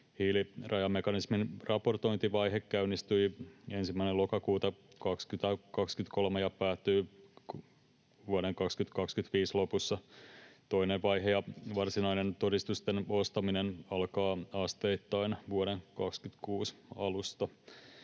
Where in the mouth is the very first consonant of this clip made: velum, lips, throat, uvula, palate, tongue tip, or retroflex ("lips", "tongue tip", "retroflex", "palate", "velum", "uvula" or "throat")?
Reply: throat